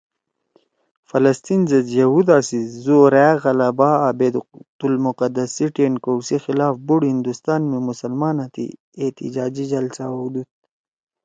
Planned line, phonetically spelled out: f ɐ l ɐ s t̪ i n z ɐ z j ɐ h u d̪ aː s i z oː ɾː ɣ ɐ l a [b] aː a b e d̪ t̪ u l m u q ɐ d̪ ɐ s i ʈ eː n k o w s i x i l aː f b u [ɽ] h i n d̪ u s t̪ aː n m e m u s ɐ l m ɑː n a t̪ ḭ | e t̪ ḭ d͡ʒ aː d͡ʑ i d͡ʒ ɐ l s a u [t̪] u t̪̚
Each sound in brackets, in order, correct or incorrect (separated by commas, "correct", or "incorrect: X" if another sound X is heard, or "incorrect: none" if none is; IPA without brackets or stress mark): correct, correct, incorrect: d̪